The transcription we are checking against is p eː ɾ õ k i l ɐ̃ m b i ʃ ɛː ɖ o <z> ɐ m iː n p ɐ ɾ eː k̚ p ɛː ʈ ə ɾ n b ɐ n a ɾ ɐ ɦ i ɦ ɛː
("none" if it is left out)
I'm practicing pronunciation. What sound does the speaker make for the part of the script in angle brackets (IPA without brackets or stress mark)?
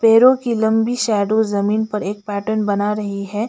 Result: z